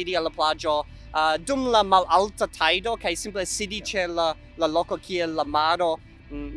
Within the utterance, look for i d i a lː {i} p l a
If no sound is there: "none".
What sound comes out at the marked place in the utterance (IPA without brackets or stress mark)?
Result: a